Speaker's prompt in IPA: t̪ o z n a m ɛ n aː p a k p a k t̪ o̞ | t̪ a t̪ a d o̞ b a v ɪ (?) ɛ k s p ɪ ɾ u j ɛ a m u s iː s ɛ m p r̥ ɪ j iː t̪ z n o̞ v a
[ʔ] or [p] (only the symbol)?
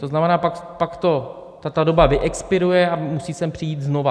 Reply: ʔ